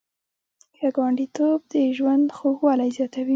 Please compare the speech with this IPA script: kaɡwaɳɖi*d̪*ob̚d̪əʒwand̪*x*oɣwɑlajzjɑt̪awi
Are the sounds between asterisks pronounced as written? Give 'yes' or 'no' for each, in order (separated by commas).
no, yes